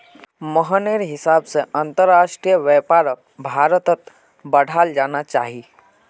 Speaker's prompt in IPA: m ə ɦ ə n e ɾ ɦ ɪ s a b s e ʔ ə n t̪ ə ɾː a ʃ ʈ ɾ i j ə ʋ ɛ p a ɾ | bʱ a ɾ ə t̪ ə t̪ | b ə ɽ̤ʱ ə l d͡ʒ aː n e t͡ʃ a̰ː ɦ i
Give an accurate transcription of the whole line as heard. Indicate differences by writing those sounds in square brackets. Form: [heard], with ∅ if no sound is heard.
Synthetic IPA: m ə ɦ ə n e ɾ ɦ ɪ s a b s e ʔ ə n t̪ ə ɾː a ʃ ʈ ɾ i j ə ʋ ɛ p a ɾ | bʱ a ɾ ə t̪ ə t̪ | b ə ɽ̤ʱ [a] l d͡ʒ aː n [a] t͡ʃ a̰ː ɦ i